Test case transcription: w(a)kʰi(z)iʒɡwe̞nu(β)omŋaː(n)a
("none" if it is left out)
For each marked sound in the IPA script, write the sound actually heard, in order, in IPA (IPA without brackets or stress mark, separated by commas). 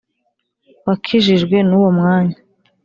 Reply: a, ʒ, w, ɲ